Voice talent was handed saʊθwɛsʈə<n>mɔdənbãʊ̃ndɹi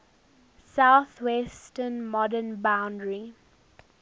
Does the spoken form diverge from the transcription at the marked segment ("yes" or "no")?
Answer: no